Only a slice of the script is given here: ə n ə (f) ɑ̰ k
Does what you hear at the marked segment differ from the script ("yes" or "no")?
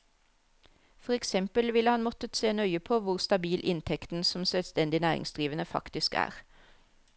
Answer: no